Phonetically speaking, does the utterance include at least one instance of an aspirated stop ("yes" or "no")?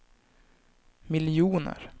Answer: no